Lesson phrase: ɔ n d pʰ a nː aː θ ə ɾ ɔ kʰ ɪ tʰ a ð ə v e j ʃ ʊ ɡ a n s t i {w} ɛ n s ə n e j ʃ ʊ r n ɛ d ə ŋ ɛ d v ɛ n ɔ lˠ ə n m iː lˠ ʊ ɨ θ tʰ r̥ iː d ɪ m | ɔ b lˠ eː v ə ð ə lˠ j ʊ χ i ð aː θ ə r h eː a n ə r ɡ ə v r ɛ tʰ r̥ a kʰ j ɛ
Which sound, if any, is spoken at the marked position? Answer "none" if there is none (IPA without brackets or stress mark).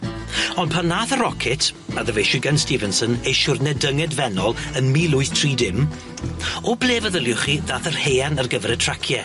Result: v